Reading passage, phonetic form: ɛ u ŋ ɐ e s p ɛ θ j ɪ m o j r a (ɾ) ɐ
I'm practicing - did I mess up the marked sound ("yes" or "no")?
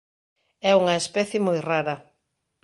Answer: no